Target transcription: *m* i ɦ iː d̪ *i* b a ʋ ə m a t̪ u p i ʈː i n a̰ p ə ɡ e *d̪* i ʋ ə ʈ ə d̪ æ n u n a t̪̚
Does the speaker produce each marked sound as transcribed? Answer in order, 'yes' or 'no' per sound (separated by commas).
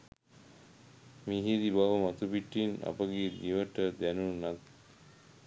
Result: yes, yes, yes